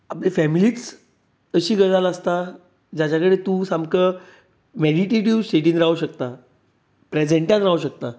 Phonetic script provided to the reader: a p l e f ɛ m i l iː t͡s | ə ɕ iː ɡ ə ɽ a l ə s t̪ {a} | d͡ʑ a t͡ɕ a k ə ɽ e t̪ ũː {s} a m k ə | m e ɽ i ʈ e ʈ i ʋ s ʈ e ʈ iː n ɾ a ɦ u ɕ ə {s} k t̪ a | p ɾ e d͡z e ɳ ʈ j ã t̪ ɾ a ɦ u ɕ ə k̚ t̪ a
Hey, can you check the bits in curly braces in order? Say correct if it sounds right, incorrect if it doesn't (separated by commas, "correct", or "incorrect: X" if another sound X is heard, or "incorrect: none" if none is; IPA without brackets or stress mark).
correct, correct, incorrect: none